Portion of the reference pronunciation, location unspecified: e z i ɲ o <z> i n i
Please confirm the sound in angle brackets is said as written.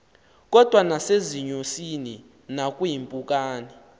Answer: no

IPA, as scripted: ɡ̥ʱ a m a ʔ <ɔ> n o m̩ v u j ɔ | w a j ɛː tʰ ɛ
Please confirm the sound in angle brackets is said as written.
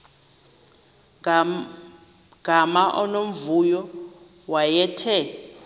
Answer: yes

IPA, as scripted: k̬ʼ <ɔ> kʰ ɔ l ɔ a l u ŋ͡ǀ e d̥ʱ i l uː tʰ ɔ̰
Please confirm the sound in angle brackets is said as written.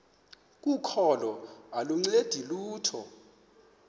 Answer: no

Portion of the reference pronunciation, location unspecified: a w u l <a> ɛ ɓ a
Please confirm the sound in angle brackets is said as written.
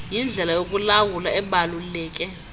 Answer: yes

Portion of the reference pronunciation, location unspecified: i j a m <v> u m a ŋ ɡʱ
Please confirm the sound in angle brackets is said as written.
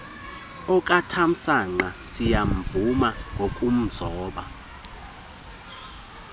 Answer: yes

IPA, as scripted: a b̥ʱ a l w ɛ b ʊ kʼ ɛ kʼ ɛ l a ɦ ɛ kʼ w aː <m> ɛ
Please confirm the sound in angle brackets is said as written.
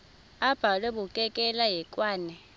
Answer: no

